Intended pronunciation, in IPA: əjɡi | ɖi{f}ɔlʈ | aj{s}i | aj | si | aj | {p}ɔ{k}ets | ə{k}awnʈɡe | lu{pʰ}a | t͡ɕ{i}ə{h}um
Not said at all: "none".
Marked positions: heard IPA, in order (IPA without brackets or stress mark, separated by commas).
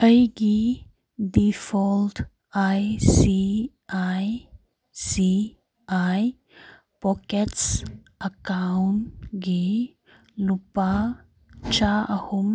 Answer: f, s, p, k, k, p, a, h